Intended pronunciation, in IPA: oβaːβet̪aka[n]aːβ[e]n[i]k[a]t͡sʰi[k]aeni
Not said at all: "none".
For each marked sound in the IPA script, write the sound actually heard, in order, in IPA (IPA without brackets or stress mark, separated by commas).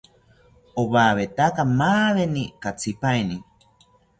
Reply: m, e, i, a, p